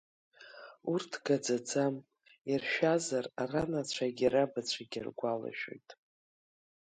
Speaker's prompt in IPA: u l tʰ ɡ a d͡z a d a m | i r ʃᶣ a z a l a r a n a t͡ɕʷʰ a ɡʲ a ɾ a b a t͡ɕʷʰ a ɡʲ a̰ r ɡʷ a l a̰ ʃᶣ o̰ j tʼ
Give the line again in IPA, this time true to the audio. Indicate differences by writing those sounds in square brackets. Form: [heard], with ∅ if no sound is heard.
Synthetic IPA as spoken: u [r] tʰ ɡ a d͡z a [d͡z] a m | i r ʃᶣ a z a [r] a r a n a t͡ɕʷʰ a ɡʲ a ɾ a b a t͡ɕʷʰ a ɡʲ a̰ r ɡʷ a l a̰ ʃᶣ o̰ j tʼ